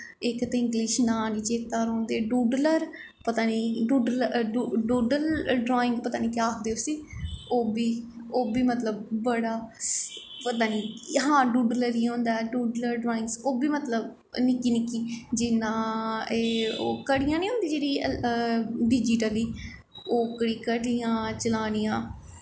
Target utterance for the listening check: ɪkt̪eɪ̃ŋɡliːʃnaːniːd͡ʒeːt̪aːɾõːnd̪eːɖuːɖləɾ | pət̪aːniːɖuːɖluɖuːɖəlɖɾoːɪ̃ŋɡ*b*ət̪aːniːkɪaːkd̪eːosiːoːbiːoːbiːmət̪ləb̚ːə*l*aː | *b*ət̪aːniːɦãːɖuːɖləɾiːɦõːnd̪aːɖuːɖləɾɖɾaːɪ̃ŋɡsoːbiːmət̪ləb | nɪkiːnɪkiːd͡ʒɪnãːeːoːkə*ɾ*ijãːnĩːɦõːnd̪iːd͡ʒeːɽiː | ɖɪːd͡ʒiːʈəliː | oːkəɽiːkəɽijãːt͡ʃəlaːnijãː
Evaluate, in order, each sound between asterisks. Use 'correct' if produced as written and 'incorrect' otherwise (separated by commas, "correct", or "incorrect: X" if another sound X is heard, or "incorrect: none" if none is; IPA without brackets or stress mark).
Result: incorrect: p, incorrect: ɽ, incorrect: p, incorrect: ɽ